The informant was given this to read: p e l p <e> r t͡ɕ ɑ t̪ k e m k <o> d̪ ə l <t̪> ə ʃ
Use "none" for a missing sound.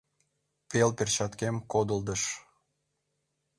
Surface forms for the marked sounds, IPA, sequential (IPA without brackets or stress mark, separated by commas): e, o, d̪